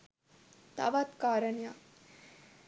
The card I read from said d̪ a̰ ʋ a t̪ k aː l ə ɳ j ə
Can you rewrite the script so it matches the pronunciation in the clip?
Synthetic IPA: t̪ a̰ ʋ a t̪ k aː ɾ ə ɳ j a